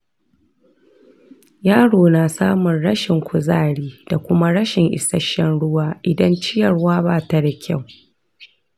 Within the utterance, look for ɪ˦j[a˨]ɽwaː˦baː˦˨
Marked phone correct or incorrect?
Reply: incorrect